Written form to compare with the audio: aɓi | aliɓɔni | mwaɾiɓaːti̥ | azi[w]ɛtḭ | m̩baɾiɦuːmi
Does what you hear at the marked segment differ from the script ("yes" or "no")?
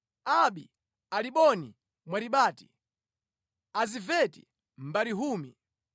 yes